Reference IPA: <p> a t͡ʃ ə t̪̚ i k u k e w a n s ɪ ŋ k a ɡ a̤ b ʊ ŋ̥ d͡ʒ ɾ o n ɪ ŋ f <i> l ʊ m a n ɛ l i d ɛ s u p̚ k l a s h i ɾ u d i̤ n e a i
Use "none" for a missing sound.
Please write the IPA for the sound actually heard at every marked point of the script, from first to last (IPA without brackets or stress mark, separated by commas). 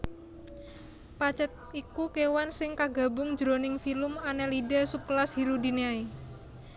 p, i